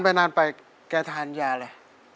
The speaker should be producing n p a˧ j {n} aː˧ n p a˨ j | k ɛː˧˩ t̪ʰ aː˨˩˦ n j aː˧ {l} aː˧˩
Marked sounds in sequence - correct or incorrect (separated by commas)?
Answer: correct, correct